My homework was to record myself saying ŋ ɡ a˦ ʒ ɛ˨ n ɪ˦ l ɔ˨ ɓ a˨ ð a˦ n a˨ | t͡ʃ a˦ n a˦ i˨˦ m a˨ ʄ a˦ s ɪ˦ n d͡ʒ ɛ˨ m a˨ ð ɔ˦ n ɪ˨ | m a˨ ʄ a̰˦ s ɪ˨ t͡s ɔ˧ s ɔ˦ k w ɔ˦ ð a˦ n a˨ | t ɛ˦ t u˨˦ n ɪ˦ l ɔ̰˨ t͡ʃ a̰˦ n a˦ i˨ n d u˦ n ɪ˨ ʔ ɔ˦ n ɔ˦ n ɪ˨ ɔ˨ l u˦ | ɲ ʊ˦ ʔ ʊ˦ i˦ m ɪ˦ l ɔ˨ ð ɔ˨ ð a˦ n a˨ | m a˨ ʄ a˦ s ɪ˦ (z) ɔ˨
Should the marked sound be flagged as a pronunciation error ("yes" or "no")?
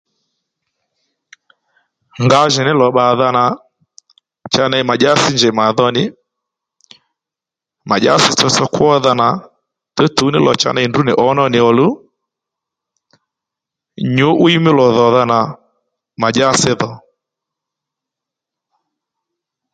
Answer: yes